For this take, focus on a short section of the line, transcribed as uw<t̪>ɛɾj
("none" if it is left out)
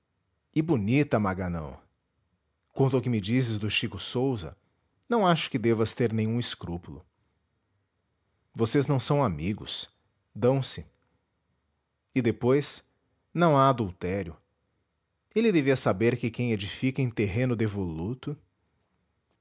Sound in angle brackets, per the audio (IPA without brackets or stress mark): t̪